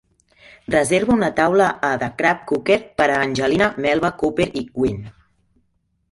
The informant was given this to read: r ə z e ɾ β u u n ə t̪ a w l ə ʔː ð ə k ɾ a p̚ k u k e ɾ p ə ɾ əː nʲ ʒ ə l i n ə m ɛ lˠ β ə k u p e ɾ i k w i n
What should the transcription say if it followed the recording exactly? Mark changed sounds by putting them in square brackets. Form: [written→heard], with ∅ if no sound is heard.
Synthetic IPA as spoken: r ə z e ɾ β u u n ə t̪ a w l ə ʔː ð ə k ɾ a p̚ k u k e ɾ p ə ɾ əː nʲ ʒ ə l i n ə m ɛ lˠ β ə k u p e ɾ i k w i n